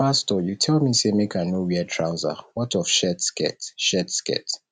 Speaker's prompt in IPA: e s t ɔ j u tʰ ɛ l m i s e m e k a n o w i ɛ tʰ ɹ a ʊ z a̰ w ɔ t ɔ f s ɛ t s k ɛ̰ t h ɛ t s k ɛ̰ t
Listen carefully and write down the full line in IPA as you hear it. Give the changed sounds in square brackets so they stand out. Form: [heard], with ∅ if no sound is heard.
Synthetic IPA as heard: [a] s t ɔ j u tʰ ɛ l m i s e m e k a n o w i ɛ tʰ ɹ a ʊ z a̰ w ɔ t ɔ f [ʃ] ɛ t s k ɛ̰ t [ʃ] ɛ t s k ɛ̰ t